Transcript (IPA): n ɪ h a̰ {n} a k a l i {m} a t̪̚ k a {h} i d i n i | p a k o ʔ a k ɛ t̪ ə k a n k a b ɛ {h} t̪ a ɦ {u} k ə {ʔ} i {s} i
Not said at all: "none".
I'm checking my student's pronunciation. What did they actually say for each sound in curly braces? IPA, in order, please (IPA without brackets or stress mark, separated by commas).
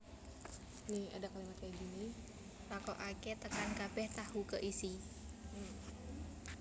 d, m, none, h, u, ʔ, s